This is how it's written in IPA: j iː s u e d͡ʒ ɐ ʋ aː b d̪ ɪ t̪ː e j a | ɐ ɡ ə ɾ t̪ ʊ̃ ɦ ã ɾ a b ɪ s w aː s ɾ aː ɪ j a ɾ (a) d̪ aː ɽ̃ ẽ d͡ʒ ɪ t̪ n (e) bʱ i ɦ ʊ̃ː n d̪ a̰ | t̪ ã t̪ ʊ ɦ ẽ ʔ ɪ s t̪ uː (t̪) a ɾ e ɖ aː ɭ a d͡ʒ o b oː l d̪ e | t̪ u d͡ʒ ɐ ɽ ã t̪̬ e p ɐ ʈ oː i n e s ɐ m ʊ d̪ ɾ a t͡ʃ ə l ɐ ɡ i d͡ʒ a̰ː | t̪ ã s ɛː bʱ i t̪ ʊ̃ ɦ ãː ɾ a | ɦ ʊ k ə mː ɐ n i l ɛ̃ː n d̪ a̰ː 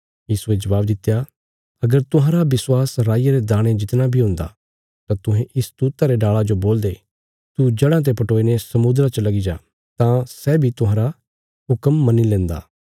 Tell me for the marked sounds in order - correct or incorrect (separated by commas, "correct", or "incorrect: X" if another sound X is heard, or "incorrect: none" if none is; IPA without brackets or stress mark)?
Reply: incorrect: e, incorrect: a, correct